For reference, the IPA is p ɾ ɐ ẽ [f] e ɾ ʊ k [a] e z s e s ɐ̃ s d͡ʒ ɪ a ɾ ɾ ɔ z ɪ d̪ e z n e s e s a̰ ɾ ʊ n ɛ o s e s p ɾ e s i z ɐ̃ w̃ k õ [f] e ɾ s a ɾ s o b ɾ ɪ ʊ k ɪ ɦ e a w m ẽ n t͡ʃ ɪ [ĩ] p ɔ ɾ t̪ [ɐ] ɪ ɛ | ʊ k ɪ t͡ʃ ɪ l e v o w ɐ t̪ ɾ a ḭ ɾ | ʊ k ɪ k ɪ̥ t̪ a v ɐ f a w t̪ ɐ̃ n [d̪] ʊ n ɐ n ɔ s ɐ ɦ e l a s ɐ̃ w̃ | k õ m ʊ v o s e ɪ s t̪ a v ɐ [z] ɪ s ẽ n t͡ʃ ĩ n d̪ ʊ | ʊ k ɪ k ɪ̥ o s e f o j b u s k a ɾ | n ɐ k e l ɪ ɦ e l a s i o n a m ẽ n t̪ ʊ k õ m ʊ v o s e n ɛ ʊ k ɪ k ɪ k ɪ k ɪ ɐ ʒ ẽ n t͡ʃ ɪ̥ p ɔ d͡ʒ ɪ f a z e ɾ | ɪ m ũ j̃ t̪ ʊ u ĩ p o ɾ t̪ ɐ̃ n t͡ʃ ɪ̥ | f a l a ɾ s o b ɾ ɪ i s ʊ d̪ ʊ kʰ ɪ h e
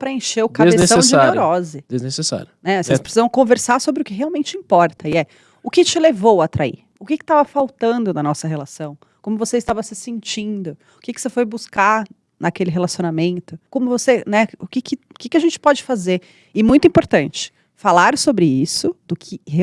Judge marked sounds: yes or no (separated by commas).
no, yes, no, yes, yes, yes, no